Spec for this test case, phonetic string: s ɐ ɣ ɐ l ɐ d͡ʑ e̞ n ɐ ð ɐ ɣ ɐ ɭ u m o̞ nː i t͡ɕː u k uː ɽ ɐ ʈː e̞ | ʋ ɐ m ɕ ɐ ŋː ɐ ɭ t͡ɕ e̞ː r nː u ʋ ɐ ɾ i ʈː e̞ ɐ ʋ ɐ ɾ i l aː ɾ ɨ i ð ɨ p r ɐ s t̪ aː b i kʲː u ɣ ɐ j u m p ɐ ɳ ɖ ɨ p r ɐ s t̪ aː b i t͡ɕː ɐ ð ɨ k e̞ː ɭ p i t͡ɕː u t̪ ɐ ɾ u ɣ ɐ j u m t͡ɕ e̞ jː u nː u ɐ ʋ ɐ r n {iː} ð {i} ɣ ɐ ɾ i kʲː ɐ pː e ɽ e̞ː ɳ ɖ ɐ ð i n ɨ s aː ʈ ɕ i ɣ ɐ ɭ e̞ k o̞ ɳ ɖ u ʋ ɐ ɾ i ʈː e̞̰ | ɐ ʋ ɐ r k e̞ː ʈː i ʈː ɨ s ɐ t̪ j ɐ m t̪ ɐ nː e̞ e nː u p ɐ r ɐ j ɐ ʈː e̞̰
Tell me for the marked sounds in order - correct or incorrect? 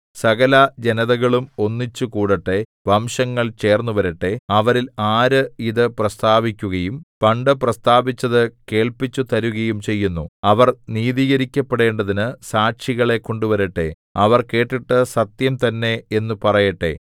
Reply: correct, incorrect: iː

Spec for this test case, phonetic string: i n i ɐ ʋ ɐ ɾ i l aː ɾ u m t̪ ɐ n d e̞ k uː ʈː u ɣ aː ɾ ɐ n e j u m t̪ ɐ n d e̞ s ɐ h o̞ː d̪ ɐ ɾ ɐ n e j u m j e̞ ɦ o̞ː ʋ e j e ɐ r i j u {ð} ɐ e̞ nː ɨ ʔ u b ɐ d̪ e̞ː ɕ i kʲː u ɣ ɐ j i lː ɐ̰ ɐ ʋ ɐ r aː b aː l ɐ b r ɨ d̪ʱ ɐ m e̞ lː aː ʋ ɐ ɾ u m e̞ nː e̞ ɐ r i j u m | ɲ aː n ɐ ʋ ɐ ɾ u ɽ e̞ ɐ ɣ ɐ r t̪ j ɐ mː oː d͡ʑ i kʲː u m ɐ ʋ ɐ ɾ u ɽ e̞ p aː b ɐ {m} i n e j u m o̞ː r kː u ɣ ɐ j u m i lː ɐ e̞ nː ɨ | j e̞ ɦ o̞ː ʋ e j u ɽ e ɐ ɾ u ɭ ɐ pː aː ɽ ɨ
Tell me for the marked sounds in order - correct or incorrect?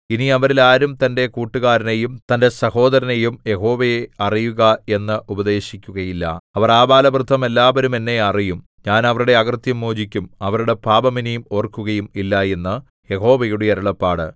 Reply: incorrect: ɣ, correct

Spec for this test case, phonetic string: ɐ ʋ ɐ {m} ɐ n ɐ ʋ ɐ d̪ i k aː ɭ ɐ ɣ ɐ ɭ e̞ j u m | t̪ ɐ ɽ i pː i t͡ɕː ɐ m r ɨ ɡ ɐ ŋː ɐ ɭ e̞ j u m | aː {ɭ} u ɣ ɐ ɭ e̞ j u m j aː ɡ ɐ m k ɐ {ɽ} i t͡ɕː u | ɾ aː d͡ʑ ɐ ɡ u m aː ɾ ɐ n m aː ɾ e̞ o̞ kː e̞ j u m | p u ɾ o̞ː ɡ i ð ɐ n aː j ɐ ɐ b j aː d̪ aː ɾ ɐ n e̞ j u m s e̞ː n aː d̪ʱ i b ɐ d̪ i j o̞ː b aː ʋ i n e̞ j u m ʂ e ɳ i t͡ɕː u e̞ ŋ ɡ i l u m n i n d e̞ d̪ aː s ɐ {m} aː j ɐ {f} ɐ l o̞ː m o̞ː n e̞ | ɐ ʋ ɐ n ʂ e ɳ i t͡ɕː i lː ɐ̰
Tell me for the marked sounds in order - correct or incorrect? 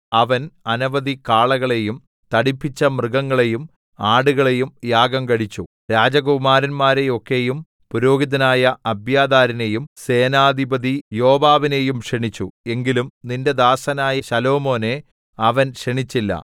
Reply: incorrect: n, incorrect: ɽ, correct, incorrect: n, incorrect: ɕ

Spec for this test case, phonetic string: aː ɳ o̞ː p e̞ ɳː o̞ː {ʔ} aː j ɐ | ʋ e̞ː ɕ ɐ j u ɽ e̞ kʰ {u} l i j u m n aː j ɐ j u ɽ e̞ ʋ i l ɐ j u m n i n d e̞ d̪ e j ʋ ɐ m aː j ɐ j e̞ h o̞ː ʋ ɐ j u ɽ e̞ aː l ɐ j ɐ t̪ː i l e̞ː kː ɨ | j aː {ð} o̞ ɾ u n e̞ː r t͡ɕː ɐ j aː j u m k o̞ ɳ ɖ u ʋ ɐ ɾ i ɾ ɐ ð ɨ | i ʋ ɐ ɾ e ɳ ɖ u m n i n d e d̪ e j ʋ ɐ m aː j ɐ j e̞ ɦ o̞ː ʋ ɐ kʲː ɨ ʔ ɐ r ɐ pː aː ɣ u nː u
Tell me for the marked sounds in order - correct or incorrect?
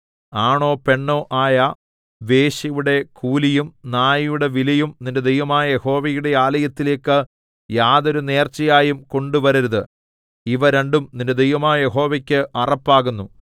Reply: correct, incorrect: uː, correct

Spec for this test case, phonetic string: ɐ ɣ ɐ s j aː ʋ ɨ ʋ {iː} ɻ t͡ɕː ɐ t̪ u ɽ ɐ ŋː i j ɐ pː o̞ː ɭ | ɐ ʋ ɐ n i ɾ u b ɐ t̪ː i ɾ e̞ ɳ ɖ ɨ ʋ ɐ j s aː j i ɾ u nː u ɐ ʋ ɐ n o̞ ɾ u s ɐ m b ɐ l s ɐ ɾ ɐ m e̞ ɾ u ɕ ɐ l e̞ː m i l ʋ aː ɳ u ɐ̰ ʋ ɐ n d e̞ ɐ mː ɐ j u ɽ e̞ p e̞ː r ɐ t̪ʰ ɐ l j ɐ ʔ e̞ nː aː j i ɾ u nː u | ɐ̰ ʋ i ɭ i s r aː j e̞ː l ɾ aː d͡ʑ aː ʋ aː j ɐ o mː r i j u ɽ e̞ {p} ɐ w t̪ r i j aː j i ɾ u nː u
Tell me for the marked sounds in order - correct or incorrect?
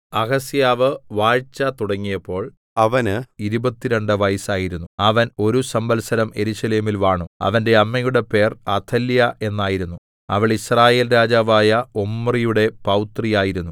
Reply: incorrect: aː, correct

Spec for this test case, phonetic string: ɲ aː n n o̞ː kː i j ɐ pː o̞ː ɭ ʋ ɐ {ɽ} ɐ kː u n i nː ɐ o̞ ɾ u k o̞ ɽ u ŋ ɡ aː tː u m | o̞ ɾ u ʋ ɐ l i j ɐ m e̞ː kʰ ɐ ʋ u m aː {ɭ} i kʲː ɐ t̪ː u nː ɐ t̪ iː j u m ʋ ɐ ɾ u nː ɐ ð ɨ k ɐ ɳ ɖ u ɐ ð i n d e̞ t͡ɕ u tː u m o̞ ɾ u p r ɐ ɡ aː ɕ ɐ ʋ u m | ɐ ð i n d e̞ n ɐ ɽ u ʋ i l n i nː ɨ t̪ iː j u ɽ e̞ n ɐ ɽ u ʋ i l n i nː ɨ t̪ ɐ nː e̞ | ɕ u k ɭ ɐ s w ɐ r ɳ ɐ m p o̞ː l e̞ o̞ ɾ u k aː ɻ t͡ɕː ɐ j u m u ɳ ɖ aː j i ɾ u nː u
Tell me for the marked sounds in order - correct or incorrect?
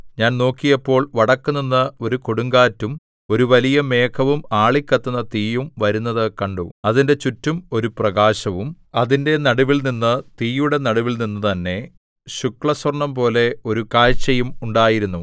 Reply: correct, correct

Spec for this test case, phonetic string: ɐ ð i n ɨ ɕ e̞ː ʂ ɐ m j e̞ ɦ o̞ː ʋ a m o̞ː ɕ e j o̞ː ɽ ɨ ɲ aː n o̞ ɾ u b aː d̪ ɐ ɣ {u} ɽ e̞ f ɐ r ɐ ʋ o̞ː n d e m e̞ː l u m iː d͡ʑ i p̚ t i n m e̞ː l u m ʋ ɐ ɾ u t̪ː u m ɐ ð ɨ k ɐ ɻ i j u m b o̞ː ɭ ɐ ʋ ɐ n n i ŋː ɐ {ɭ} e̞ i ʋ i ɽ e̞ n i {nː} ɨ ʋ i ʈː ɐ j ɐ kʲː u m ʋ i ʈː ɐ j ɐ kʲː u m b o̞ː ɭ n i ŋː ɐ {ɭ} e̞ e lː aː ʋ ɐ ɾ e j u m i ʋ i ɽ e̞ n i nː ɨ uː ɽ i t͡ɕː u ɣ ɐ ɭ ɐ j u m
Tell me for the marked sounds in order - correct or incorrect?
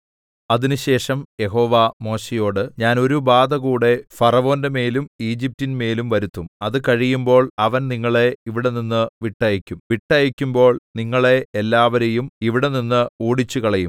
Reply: incorrect: uː, correct, correct, correct

